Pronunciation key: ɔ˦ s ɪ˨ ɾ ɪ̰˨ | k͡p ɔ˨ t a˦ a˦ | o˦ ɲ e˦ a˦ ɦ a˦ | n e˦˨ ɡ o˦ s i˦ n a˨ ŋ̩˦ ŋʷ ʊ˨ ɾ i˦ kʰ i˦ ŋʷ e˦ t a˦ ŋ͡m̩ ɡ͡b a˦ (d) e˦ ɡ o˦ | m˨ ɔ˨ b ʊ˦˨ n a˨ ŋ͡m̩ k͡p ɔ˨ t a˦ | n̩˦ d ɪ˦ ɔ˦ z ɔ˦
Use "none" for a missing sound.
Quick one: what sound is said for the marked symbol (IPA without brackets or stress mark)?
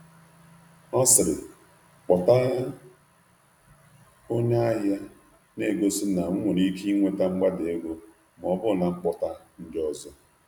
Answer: d